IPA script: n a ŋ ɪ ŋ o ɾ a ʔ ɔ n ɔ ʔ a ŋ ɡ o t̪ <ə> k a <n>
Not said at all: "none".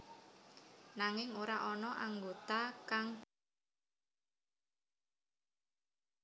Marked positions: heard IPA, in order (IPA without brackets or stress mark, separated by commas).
a, ŋ